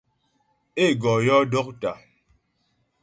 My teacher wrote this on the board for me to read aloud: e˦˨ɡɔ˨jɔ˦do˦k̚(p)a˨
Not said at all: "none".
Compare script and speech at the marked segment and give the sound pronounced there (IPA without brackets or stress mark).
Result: t